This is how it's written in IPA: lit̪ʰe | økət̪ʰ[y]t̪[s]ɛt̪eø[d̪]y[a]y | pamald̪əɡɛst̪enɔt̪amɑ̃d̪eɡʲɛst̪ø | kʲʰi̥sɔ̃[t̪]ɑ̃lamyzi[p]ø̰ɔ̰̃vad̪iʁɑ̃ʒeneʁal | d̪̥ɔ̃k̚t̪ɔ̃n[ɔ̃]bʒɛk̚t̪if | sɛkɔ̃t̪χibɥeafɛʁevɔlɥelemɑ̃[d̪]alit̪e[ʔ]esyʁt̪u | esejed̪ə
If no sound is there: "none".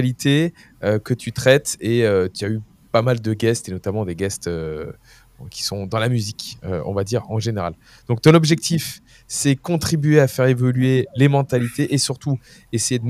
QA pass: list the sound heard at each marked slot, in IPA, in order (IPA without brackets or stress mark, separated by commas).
y, χ, t̪, a, d̪, k, ɔ, t̪, ʔ